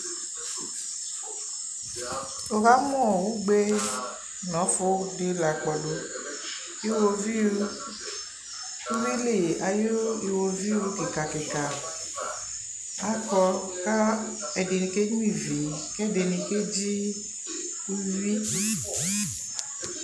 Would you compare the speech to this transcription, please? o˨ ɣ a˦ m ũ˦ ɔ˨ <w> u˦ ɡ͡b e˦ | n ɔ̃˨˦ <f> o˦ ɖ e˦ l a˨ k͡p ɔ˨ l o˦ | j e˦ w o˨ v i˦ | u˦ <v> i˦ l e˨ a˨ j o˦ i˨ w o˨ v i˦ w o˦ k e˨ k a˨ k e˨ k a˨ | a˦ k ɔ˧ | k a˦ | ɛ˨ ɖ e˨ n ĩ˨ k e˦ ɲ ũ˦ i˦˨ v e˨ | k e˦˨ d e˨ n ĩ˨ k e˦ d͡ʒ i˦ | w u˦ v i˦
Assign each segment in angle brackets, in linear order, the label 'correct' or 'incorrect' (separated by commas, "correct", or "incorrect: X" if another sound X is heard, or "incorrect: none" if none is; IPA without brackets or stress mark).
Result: correct, correct, correct